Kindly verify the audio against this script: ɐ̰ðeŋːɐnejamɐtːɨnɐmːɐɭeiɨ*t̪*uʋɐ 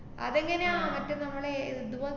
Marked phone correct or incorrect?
incorrect